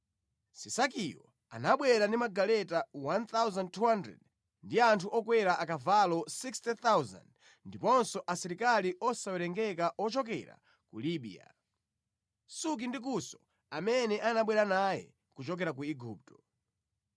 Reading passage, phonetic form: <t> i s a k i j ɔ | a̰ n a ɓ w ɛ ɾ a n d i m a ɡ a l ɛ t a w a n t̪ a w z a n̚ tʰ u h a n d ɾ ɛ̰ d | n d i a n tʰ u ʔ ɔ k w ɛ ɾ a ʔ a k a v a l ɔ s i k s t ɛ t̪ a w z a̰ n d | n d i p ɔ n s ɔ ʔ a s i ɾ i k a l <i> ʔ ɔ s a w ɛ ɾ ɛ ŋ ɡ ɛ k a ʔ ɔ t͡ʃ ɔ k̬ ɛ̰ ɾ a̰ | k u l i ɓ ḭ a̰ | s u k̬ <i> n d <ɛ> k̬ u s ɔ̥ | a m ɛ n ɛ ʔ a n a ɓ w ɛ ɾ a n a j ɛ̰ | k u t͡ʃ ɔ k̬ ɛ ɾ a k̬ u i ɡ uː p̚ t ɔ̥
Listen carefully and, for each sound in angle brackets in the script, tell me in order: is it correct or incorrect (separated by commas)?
incorrect, correct, correct, incorrect